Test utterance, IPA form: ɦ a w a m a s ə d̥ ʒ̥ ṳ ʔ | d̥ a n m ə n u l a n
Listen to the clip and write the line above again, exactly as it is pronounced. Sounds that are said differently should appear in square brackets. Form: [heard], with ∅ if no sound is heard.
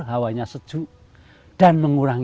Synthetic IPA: ɦ a w a [ɲ] a s ə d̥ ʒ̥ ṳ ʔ | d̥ a n m ə [ŋ] u [ɾ] a [ŋ]